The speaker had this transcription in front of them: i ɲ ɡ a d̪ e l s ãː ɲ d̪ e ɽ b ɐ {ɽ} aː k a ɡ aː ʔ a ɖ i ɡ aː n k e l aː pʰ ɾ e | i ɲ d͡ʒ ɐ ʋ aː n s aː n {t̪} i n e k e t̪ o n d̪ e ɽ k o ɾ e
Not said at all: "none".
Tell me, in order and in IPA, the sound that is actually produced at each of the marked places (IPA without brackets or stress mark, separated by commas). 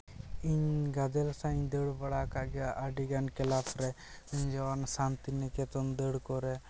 ɽ, t̪